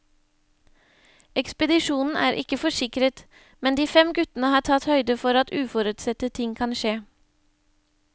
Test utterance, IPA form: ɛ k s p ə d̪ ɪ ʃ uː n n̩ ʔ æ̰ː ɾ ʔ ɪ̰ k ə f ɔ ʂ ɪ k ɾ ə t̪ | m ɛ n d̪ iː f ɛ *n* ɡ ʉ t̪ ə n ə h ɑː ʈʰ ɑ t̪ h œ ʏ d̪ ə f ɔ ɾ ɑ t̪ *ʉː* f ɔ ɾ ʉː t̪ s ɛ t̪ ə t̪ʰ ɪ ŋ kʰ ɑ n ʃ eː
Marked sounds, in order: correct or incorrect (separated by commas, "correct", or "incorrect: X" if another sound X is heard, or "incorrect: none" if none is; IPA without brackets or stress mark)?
incorrect: m, correct